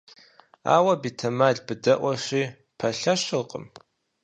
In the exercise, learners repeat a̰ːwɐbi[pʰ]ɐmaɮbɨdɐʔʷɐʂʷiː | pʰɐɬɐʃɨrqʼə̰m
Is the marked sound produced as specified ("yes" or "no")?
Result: no